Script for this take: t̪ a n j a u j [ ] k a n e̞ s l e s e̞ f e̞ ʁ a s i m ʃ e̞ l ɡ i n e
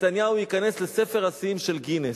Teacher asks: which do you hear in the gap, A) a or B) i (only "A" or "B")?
B